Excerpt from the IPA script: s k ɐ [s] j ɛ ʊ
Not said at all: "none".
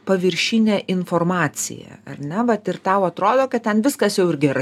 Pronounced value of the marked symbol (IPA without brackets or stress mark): s